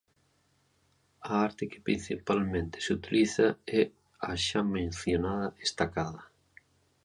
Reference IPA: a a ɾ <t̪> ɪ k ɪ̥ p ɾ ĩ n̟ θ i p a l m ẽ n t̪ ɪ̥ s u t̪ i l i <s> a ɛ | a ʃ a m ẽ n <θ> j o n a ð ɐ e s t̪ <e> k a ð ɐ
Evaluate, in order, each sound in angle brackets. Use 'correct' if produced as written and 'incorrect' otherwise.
correct, incorrect, correct, incorrect

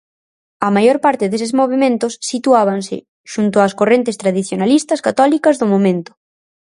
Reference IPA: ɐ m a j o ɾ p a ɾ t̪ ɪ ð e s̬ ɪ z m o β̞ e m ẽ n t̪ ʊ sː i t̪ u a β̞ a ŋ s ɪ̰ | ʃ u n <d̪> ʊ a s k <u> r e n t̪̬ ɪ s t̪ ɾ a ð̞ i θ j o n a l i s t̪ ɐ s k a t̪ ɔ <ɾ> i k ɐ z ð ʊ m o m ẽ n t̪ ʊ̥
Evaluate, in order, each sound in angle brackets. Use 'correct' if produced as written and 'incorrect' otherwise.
incorrect, incorrect, incorrect

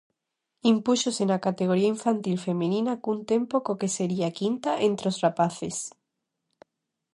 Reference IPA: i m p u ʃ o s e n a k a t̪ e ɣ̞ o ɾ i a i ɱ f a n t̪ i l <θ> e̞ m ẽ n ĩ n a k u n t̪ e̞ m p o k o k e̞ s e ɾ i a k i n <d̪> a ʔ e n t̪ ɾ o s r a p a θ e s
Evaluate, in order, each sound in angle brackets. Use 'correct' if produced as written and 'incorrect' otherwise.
incorrect, incorrect

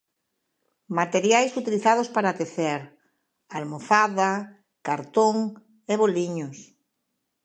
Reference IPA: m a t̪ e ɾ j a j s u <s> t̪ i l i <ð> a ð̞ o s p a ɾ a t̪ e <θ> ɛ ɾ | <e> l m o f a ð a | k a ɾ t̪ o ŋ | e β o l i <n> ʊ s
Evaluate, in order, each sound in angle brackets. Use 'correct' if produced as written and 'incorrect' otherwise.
incorrect, incorrect, correct, incorrect, incorrect

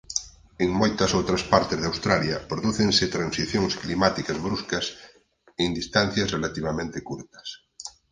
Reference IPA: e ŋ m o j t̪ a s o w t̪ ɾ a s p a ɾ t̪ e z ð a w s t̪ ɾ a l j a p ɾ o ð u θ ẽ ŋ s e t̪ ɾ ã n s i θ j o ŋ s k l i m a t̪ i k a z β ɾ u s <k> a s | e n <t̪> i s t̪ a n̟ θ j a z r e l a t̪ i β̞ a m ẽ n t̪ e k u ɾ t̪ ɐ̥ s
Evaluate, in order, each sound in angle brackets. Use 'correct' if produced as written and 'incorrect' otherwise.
correct, incorrect

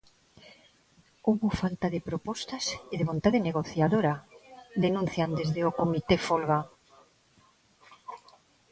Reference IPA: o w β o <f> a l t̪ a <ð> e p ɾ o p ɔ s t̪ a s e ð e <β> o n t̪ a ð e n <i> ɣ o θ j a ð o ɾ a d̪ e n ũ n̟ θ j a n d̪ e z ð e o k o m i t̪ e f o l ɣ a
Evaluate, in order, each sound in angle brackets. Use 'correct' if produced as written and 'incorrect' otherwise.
correct, correct, correct, incorrect

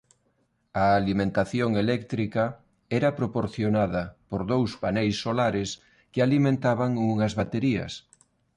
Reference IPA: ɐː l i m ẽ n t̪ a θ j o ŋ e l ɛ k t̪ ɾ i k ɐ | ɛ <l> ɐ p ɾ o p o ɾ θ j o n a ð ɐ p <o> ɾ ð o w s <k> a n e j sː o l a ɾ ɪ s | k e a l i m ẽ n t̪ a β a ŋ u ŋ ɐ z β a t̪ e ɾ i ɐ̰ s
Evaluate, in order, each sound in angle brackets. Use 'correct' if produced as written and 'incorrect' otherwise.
incorrect, correct, incorrect

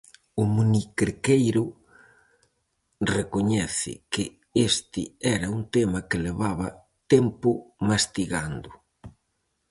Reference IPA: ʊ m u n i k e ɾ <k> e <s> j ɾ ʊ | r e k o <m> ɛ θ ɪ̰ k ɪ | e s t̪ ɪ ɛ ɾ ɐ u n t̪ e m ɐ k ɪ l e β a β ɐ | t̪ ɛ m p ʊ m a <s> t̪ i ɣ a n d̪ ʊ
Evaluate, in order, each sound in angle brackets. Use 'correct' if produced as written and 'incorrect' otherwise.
correct, incorrect, incorrect, correct

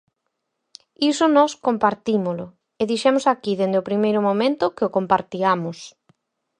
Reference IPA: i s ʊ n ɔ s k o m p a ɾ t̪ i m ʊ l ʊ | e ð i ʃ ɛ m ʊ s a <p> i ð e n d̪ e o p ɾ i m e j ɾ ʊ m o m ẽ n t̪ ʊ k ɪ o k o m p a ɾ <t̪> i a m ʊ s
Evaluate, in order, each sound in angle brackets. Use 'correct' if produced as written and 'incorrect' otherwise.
incorrect, correct

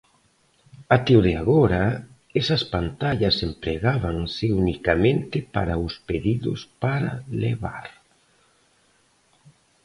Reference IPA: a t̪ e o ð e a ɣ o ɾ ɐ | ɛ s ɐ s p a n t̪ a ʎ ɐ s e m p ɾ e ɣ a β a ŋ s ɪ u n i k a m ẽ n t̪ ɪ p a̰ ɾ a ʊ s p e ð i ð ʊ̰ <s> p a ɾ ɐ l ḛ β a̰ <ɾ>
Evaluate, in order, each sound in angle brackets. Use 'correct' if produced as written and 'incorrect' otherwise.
correct, correct

